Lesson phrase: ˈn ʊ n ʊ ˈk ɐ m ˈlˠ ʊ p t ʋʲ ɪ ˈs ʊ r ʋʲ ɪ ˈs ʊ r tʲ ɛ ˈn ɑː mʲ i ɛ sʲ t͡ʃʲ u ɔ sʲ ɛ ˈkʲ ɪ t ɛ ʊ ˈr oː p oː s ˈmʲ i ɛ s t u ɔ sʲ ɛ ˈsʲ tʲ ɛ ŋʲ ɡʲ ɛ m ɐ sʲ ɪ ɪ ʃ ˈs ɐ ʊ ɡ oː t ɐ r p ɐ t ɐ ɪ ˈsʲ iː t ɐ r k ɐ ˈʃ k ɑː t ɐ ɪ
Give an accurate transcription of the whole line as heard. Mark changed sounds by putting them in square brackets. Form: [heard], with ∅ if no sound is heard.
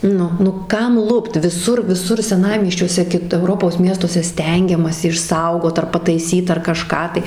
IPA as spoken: ˈn ʊ n ʊ ˈk ɐ m ˈlˠ ʊ p t ʋʲ ɪ ˈs ʊ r ʋʲ ɪ ˈs ʊ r [sʲ] ɛ ˈn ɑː mʲ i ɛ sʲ t͡ʃʲ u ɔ sʲ ɛ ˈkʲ ɪ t ɛ ʊ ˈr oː p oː s ˈmʲ i ɛ s t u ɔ sʲ ɛ ˈsʲ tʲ ɛ ŋʲ ɡʲ ɛ m ɐ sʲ ɪ ɪ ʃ ˈs ɐ ʊ ɡ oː t ɐ r p ɐ t ɐ ɪ ˈsʲ iː t ɐ r k ɐ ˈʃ k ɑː t ɐ ɪ